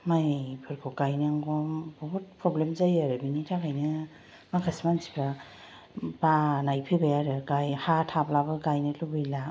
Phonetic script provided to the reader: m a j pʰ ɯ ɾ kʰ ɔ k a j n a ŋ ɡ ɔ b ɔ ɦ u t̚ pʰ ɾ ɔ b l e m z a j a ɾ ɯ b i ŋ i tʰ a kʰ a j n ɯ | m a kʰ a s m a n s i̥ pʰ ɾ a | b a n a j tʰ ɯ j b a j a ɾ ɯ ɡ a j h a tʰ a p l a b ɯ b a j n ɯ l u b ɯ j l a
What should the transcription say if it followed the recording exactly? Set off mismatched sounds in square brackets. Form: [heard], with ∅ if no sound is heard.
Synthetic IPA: m a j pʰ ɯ ɾ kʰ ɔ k a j n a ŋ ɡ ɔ b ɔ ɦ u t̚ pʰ ɾ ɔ b l e m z a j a ɾ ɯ b i [n] i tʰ a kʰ a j n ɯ | m a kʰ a s m a n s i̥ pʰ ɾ a | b a n a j [pʰ] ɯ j b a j a ɾ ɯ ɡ a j h a tʰ a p l a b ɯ [ɡ] a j n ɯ l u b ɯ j l a